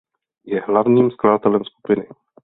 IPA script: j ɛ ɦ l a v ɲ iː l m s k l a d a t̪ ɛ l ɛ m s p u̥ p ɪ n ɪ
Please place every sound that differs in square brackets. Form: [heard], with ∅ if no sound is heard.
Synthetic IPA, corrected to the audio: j ɛ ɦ l a v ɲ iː [∅] m s k l a d a t̪ ɛ l ɛ m s [k] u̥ p ɪ n ɪ